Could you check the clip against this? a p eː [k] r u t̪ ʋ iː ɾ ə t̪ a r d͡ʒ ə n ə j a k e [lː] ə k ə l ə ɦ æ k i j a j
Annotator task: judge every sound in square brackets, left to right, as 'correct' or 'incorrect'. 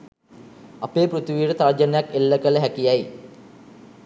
incorrect, correct

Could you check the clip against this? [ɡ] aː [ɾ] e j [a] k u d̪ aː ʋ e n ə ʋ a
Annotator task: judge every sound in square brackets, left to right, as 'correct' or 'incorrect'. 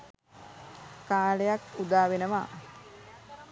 incorrect, incorrect, correct

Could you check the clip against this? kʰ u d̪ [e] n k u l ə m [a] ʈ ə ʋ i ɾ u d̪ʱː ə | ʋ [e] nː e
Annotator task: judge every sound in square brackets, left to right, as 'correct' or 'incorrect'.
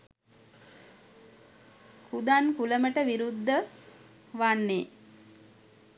incorrect, incorrect, incorrect

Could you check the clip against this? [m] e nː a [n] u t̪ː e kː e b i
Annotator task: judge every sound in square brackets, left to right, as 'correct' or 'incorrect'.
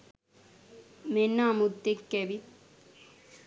correct, incorrect

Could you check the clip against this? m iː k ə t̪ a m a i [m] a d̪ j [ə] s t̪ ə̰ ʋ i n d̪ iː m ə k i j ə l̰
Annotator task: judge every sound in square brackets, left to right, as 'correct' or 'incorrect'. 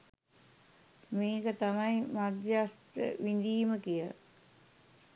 correct, incorrect

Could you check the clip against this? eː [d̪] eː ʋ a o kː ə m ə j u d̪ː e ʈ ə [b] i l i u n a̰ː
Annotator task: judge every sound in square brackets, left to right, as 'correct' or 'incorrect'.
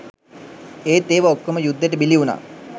incorrect, correct

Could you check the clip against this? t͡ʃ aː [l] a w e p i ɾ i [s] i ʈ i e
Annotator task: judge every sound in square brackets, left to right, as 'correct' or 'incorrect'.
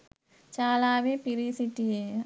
correct, correct

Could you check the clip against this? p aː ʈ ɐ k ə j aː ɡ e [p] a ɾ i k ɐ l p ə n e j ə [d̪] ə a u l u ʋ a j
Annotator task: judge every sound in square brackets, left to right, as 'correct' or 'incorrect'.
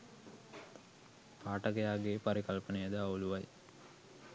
correct, correct

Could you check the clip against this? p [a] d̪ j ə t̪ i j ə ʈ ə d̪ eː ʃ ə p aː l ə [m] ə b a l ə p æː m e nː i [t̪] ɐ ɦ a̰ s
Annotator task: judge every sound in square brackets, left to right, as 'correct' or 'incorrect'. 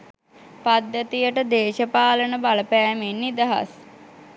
correct, incorrect, incorrect

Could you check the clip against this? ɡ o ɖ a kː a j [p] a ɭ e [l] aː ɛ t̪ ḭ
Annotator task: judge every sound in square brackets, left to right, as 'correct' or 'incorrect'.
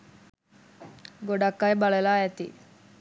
incorrect, correct

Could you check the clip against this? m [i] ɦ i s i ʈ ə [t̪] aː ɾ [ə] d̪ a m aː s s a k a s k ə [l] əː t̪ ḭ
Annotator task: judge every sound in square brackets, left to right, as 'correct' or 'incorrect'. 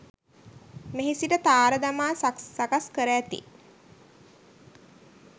incorrect, correct, correct, incorrect

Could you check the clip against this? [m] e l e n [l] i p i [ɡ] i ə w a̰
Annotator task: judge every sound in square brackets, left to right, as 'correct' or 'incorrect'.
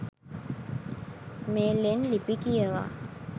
correct, correct, incorrect

